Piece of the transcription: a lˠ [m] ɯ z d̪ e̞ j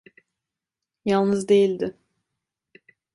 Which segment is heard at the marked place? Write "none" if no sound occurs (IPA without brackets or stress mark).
n